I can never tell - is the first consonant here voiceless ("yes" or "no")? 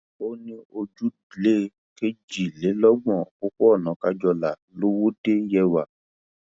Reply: no